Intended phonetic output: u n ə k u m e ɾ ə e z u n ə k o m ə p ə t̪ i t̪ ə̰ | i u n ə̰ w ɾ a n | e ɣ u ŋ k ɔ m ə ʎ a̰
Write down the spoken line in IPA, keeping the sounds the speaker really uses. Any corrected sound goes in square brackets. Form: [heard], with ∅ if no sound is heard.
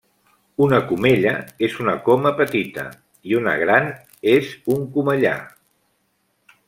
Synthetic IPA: u n ə k u m e [ʎ] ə e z u n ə k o m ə p ə t̪ i t̪ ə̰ | i u n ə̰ [ɣ] ɾ a n | e [z] u ŋ k [u] m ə ʎ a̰